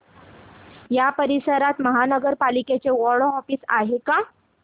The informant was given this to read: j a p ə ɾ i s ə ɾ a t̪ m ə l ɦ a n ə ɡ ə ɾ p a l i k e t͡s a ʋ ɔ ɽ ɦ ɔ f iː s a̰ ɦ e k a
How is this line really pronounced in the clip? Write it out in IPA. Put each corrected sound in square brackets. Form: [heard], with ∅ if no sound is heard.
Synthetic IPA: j a p ə ɾ i s ə ɾ a t̪ m ə [∅] ɦ a n ə ɡ ə ɾ p a l i k e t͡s [e] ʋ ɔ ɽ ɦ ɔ f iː s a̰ ɦ e k a